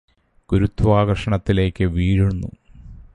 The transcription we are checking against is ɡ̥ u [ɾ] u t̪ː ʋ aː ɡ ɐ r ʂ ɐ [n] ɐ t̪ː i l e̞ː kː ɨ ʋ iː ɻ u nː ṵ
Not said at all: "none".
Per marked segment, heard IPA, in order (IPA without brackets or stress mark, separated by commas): ɾ, ɳ